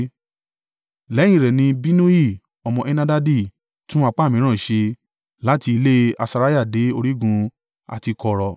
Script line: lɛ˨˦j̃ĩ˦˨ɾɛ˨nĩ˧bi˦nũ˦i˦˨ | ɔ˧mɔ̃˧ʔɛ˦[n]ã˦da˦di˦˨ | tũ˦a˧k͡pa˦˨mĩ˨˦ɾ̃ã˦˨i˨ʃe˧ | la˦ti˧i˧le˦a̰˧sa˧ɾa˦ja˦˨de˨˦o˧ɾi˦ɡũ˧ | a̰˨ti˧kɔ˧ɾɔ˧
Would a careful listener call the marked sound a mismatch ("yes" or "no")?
no